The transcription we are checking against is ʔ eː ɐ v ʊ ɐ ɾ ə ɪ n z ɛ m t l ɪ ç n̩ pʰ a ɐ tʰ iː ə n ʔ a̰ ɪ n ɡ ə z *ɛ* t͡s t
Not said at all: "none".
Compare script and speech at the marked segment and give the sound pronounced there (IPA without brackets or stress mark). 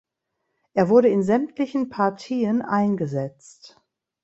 ɛ